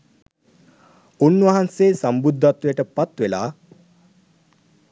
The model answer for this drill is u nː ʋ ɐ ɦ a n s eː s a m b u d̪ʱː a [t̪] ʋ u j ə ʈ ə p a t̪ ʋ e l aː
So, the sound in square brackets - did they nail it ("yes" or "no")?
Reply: yes